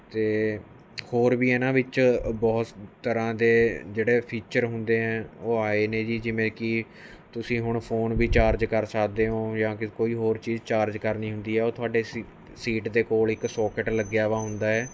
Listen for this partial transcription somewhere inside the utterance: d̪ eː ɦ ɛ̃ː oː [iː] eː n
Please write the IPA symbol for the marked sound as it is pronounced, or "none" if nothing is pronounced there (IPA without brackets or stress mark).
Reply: aː